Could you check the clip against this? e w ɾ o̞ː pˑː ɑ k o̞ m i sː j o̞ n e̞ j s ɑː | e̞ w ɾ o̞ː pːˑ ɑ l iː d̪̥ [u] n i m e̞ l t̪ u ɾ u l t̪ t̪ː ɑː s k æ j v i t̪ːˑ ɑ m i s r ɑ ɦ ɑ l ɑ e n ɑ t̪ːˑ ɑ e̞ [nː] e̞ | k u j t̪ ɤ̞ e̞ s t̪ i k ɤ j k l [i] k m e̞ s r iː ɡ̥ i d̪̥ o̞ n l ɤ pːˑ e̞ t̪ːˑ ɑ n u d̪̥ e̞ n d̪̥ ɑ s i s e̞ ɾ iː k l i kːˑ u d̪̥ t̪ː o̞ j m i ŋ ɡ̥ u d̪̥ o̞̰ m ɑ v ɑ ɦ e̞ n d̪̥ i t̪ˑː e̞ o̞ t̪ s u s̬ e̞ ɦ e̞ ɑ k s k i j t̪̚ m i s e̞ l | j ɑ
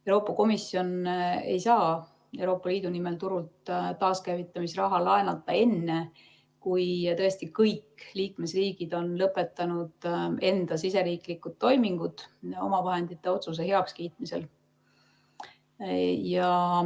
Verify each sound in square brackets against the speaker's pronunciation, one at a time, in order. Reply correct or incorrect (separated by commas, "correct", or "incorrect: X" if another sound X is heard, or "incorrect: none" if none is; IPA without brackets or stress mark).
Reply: correct, correct, incorrect: iː